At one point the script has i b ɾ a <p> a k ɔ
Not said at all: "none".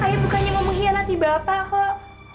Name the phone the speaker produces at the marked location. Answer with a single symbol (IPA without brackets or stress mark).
p